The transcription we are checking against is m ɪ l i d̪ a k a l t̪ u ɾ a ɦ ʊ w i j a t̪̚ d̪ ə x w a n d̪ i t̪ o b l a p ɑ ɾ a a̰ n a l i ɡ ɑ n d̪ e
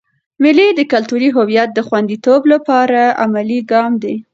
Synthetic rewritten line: m ɪ l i d̪ ə k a l t̪ u ɾ i ɦ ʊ w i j a t̪̚ d̪ ə x w a n d̪ i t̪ o b l a p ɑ ɾ a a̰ m a l i ɡ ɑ m d̪ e